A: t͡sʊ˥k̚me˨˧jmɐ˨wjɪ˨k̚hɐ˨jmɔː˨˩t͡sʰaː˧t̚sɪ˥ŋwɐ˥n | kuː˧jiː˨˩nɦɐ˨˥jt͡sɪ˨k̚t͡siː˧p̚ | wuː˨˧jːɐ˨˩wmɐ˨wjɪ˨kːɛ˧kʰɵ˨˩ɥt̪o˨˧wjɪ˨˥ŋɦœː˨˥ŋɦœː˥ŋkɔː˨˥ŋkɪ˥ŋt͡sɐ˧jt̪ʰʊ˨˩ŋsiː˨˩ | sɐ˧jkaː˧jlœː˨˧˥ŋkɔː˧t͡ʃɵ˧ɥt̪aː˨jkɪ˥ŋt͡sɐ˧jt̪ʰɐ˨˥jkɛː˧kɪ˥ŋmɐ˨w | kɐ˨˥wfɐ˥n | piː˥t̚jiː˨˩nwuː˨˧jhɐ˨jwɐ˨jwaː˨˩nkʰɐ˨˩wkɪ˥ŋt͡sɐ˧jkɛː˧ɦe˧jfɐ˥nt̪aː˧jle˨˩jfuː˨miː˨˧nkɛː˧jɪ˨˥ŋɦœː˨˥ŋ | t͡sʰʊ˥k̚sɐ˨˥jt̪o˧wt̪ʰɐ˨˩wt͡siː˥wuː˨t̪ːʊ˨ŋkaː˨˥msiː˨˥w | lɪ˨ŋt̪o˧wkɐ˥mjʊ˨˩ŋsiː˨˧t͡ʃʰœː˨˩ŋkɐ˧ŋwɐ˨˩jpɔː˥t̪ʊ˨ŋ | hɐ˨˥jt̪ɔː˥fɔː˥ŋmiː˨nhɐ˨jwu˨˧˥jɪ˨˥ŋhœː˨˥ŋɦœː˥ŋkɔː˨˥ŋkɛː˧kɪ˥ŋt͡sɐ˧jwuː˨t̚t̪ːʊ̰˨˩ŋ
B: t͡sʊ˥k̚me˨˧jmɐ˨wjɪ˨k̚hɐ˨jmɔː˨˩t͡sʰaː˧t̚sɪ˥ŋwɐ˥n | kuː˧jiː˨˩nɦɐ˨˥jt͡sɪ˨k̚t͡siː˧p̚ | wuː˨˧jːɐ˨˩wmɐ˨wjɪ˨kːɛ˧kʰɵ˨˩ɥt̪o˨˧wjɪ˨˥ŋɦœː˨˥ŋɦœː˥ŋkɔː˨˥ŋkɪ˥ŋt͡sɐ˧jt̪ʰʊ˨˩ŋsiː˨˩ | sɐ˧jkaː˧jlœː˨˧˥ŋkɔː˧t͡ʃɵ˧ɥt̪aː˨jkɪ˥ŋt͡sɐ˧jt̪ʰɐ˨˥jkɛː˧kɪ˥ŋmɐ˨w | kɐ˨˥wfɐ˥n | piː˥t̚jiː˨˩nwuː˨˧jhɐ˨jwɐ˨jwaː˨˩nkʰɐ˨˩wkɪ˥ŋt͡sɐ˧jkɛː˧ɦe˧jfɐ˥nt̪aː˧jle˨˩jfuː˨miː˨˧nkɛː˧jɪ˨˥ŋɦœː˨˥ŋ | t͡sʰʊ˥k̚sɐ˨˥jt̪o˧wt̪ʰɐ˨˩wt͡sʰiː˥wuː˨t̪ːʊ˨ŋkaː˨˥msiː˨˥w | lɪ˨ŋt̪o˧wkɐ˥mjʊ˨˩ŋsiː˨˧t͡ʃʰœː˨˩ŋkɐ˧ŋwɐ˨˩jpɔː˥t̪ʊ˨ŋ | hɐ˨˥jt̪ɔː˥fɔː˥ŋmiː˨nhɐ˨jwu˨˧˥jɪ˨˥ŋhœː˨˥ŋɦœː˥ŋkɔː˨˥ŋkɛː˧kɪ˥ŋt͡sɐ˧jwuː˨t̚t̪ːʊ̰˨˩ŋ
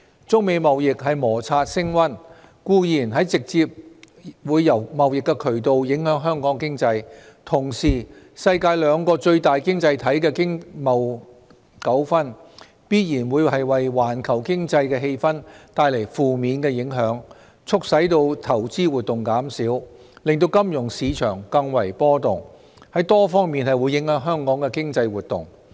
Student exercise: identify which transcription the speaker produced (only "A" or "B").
A